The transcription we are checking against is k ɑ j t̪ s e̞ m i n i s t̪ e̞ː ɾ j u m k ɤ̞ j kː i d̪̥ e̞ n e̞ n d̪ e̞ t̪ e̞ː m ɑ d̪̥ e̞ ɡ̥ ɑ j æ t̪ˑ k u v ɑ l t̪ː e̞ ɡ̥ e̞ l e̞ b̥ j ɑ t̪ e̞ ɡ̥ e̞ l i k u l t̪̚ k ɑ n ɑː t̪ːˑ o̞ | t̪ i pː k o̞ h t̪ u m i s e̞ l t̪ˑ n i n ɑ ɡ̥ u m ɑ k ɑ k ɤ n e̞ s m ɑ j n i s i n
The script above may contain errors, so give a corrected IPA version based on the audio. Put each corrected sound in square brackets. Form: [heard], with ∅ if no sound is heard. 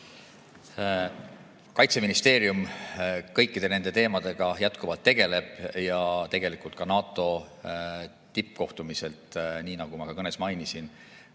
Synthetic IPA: k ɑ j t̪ s e̞ m i n i s t̪ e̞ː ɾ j u m k ɤ̞ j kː i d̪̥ e̞ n e̞ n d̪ e̞ t̪ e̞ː m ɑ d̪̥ e̞ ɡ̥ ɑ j æ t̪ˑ k u v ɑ l t̪ː e̞ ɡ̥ e̞ l e̞ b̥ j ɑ t̪ e̞ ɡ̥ e̞ l i k u l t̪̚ k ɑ n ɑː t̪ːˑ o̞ | t̪ i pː k o̞ h t̪ u m i s e̞ l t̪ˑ n [iː] n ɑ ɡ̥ u m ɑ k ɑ k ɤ n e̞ s m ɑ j n i s i n